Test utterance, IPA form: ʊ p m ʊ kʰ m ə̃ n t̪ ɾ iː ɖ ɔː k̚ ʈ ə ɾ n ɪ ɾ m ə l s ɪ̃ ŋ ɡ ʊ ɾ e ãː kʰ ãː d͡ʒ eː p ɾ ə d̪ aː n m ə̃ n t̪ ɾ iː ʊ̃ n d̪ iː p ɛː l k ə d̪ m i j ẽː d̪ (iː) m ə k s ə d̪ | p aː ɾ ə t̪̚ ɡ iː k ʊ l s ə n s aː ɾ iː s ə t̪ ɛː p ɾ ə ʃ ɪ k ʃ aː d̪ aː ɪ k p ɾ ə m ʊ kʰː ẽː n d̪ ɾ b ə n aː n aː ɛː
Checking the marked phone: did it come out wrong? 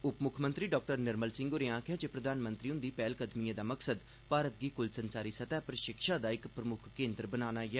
yes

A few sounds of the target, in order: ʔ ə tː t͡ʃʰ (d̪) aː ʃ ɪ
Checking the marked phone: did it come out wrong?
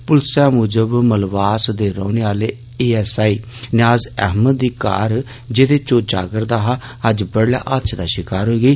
no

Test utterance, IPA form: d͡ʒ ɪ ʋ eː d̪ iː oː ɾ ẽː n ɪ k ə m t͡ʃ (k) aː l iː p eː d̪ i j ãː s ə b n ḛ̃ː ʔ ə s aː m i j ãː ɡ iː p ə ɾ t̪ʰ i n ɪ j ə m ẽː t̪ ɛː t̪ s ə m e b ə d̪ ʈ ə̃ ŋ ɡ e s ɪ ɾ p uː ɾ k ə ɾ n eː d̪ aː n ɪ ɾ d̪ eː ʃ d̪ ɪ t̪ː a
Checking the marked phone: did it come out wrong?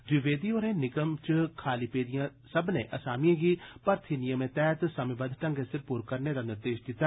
yes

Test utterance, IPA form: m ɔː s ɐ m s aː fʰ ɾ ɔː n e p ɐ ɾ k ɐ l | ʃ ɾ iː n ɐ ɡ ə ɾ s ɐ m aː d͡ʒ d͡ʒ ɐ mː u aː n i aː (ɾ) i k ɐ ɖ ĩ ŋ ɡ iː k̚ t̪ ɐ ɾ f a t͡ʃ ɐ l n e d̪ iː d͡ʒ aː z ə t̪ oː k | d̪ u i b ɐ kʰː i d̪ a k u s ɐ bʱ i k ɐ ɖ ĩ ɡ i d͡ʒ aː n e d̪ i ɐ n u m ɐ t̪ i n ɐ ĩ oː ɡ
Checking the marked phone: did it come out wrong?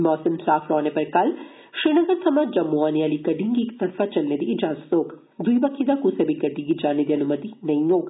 yes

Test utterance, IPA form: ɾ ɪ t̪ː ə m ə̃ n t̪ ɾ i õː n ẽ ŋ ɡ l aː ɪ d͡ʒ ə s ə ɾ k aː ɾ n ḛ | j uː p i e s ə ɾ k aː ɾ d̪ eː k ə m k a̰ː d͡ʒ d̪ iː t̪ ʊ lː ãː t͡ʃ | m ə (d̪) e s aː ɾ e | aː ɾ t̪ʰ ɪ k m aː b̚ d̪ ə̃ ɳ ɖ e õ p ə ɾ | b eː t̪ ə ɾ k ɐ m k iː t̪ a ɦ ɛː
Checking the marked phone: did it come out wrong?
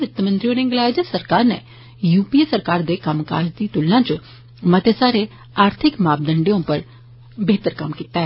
yes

